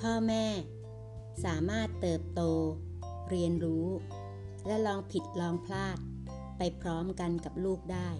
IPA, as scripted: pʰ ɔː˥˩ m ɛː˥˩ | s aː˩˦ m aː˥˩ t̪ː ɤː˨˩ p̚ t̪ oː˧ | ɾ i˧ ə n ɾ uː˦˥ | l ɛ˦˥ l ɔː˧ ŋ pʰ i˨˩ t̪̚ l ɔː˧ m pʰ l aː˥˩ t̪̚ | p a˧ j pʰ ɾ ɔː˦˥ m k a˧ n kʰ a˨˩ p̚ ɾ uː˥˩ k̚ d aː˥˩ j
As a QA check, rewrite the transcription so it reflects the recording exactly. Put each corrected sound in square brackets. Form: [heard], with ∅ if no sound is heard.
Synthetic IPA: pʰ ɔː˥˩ m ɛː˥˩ | s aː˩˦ m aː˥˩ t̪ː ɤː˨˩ p̚ t̪ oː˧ | ɾ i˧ ə n ɾ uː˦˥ | l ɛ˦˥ l ɔː˧ ŋ pʰ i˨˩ t̪̚ l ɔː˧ [ŋ] pʰ l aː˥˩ t̪̚ | p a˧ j pʰ ɾ ɔː˦˥ m k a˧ n [k] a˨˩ p̚ [l] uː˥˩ k̚ d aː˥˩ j